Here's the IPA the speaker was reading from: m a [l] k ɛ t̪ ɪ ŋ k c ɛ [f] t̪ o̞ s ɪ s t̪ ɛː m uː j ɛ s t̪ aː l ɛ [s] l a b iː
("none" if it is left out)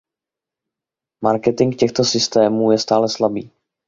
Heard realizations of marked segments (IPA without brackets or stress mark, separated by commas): ɾ, x, s